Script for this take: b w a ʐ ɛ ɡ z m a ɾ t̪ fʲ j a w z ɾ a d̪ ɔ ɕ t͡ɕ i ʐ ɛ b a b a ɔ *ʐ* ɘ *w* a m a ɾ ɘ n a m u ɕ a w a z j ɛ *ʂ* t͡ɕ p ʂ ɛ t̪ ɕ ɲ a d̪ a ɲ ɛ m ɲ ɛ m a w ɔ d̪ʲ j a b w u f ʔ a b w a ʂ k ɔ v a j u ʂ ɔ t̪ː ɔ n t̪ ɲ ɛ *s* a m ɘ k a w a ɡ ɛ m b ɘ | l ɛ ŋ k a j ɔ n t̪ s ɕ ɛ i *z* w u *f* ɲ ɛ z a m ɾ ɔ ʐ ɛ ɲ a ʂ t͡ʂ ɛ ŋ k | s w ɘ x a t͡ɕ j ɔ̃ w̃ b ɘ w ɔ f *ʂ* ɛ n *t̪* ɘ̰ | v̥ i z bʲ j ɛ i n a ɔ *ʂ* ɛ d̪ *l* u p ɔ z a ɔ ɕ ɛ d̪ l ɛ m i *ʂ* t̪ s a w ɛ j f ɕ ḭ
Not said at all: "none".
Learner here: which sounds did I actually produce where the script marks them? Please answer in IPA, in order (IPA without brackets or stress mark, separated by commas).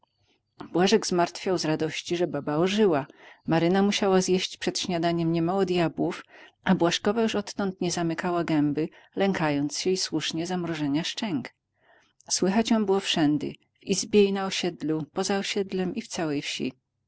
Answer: ʐ, w, ɕ, z, s, ʂ, ʂ, d̪, ɕ, l, f